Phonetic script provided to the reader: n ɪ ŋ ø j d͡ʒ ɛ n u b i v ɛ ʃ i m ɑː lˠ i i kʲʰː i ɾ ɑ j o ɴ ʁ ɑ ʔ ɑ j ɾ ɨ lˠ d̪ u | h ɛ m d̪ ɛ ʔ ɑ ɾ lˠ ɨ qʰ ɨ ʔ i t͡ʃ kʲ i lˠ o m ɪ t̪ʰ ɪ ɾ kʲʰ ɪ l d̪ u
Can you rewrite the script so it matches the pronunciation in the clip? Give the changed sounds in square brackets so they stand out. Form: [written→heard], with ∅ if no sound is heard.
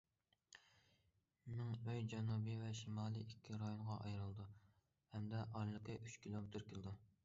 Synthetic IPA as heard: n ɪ ŋ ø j d͡ʒ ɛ n u b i v ɛ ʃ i m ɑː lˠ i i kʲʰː i ɾ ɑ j o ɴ ʁ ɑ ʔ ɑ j ɾ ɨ lˠ d̪ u | h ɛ m d̪ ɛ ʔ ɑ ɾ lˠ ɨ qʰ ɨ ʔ [i→y] t͡ʃ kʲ i lˠ o m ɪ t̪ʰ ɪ ɾ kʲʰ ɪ l d̪ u

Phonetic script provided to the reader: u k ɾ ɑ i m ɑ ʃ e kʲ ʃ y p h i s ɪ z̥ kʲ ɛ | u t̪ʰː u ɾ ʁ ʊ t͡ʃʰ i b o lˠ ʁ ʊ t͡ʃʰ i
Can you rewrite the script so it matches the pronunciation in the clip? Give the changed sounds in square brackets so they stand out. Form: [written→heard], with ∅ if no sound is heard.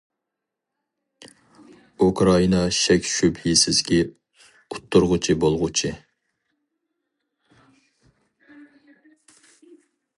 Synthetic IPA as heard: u k ɾ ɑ i [m→n] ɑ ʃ [e→ɛ] kʲ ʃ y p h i s ɪ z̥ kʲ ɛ | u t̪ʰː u ɾ ʁ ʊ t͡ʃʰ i b o lˠ ʁ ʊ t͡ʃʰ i

